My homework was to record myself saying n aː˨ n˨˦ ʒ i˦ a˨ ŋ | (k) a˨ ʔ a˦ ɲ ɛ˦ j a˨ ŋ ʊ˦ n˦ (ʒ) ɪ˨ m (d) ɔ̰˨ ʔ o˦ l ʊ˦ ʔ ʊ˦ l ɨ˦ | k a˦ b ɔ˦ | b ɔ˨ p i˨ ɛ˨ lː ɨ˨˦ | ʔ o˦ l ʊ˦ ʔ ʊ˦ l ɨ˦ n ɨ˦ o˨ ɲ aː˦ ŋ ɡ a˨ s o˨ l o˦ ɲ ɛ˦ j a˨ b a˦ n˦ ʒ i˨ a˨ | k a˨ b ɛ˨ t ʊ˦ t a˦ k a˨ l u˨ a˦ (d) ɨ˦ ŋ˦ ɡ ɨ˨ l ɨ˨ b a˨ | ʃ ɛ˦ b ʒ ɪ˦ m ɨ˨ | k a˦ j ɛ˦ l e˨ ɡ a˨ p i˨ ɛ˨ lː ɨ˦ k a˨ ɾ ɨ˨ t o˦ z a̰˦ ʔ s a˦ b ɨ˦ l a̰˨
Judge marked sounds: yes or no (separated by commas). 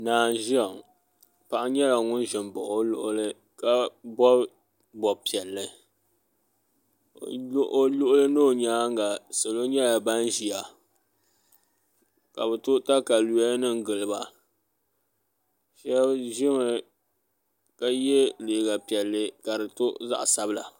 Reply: no, yes, no, no